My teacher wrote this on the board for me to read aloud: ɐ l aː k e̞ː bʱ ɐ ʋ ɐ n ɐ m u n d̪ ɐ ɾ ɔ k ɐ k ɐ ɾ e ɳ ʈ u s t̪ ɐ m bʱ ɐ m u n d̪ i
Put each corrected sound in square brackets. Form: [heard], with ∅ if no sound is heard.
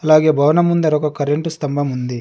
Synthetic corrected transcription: ɐ l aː [ɡ] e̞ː bʱ ɐ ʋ ɐ n ɐ m u n d̪ ɐ ɾ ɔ k ɐ k ɐ ɾ e ɳ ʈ u s t̪ ɐ m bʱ ɐ m u n d̪ i